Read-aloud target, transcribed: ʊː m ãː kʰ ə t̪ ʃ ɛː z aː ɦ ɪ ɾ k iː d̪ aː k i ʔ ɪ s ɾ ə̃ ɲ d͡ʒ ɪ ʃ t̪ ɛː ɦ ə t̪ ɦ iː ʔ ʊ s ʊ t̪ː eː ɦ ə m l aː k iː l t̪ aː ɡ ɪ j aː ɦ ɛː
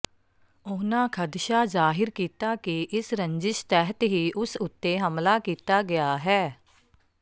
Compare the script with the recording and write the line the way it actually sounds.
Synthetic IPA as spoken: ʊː n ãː kʰ ə d̪ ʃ aː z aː ɦ ɪ ɾ k iː t̪ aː k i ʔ ɪ s ɾ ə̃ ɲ d͡ʒ ɪ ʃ t̪ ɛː ɦ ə t̪ ɦ iː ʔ ʊ s ʊ t̪ː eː ɦ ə m l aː k iː t̪ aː ɡ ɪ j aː ɦ ɛː

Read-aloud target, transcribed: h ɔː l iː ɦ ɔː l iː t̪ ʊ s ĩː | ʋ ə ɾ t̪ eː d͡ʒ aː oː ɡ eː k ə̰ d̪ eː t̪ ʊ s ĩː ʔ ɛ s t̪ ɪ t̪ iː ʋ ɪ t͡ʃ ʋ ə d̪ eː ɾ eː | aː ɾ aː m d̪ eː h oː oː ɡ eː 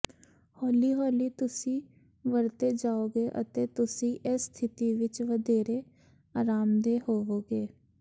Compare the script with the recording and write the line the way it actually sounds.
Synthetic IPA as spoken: h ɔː l iː ɦ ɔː l iː t̪ ʊ s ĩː | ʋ ə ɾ t̪ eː d͡ʒ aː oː ɡ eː ʔ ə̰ t̪ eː t̪ ʊ s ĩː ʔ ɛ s t̪ʰ ɪ t̪ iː ʋ ɪ t͡ʃ ʋ ə d̪ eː ɾ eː | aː ɾ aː m d̪ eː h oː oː ɡ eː

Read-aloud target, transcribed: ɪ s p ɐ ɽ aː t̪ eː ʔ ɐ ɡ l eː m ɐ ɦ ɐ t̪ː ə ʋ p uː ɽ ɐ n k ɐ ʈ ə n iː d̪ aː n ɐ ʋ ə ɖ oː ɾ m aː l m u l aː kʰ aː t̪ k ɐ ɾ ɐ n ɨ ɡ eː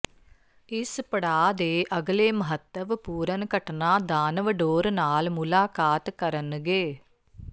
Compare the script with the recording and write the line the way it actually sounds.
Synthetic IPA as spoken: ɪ s p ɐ ɽ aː d̪ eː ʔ ɐ ɡ l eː m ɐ ɦ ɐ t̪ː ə ʋ p uː ɾ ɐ n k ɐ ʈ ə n aː d̪ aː n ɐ ʋ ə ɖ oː ɾ n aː l m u l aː k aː t̪ k ɐ ɾ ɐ n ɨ ɡ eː

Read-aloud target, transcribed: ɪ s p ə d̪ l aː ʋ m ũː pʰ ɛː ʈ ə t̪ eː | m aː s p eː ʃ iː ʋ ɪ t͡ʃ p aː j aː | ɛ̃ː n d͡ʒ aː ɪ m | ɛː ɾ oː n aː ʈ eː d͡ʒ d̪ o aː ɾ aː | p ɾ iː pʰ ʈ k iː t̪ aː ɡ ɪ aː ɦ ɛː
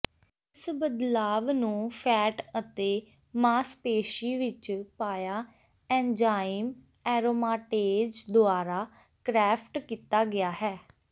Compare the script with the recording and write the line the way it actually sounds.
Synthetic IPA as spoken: ɪ s b ə d̪ l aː ʋ n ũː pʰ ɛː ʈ ə t̪ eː | m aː s p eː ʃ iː ʋ ɪ t͡ʃ p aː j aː | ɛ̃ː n d͡ʒ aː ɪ m | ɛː ɾ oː m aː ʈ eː d͡ʒ d̪ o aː ɾ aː | k ɾ ɛː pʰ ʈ k iː t̪ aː ɡ ɪ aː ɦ ɛː

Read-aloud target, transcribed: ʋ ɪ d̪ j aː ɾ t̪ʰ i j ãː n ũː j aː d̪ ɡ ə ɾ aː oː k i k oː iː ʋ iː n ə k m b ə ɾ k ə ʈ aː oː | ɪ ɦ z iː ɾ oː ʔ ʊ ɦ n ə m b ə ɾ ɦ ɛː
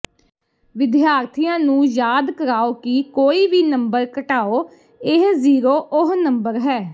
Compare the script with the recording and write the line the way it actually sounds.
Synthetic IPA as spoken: ʋ ɪ d̪ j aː ɾ t̪ʰ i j ãː n ũː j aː d̪ k ə ɾ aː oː k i k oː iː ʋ iː n ə m b ə ɾ k ə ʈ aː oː | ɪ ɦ z iː ɾ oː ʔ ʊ ɦ n ə m b ə ɾ ɦ ɛː

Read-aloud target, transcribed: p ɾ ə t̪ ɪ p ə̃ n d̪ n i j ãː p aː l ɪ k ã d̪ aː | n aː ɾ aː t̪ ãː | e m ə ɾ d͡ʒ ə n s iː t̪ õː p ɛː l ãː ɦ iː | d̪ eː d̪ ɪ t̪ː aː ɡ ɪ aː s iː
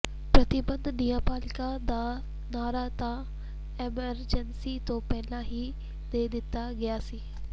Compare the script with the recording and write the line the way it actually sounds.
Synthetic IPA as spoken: p ɾ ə t̪ ɪ b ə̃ n d̪ n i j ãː p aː l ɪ k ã d̪ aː | n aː ɾ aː t̪ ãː | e m ə ɾ d͡ʒ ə n s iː t̪ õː p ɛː l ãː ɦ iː | d̪ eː d̪ ɪ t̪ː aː ɡ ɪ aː s iː

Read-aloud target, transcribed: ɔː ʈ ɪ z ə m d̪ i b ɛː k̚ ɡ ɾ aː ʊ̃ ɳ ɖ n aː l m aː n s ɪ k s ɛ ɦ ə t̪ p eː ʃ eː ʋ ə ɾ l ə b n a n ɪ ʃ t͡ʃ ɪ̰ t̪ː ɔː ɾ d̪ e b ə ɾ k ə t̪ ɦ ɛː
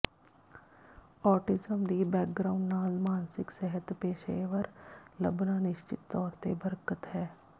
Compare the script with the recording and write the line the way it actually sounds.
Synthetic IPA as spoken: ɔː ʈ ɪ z ə m d̪ i b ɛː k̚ ɡ ɾ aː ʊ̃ ɳ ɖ n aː l m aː n s ɪ k s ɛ ɦ ə t̪ p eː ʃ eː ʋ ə ɾ l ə b n a n ɪ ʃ t͡ʃ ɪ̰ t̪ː ɔː ɾ t̪ e b ə ɾ k ə t̪ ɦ ɛː

